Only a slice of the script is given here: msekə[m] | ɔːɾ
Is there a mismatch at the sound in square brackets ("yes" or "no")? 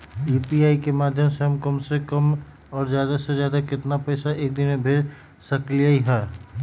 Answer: no